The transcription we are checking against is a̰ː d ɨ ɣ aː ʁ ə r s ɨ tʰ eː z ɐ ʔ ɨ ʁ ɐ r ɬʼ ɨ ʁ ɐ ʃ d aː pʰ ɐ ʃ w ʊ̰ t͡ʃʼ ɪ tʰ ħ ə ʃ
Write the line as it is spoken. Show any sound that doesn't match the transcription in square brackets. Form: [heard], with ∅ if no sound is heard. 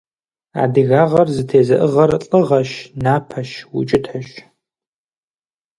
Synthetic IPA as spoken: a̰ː d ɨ ɣ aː ʁ [ɐ] r [z] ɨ tʰ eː z ɐ ʔ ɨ ʁ ɐ r ɬʼ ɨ ʁ ɐ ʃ [n] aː pʰ ɐ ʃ w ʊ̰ t͡ʃʼ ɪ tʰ ħ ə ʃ